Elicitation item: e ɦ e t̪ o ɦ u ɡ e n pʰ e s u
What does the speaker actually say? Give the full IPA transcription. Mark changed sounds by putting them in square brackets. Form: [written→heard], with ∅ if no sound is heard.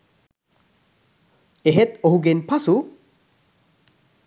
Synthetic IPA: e ɦ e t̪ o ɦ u ɡ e n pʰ [e→a] s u